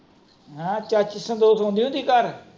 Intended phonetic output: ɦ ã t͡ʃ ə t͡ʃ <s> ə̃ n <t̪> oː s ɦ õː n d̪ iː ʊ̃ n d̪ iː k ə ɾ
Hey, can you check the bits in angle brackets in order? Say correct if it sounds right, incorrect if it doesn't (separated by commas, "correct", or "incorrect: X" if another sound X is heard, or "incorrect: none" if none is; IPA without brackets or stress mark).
correct, incorrect: d̪